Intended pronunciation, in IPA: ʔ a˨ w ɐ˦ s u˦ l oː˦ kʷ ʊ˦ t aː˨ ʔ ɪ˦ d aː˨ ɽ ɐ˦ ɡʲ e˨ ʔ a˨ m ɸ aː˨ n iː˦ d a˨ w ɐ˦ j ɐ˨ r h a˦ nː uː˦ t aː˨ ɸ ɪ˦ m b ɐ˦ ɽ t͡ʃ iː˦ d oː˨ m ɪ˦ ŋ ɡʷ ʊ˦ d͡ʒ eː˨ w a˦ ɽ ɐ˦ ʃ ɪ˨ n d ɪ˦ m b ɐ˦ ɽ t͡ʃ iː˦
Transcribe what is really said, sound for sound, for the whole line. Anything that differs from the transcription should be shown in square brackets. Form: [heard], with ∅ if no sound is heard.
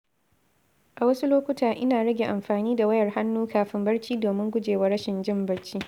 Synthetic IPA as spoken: ʔ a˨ w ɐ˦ s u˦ l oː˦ kʷ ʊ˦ t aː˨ ʔ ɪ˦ [n] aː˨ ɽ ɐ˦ ɡʲ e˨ ʔ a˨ m ɸ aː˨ n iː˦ d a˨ w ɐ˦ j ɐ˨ r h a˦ nː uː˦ [k] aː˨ ɸ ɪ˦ m b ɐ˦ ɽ t͡ʃ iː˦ d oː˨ m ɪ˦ ŋ ɡʷ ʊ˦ d͡ʒ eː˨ w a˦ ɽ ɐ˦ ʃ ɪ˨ n [d͡ʒ] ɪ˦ m b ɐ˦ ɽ t͡ʃ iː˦